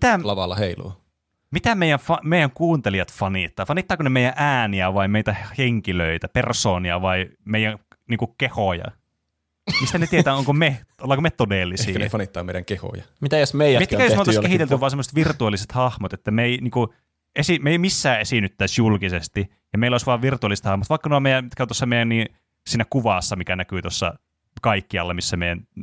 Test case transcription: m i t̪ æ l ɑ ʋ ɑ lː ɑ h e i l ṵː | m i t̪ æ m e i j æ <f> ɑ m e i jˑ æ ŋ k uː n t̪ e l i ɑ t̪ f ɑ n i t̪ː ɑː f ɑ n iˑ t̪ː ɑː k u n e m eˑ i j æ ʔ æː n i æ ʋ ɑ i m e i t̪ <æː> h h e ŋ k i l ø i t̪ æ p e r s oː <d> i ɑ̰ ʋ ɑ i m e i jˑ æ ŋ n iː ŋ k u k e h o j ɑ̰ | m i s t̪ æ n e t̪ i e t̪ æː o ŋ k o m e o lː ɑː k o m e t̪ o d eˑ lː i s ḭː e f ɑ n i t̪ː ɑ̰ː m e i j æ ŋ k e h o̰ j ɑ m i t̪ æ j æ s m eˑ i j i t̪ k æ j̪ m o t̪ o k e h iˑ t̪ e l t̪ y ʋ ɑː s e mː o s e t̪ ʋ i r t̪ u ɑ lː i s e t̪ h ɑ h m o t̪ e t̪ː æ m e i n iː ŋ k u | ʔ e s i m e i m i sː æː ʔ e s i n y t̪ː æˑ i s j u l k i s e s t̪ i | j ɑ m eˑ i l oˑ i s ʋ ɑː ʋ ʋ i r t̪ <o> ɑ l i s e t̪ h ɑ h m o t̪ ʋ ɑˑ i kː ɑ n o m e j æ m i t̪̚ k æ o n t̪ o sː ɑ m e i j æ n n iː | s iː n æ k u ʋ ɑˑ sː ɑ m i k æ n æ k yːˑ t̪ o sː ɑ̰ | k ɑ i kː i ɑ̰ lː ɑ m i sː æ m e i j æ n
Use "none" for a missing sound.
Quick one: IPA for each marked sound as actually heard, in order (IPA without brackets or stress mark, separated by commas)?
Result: f, æ, n, u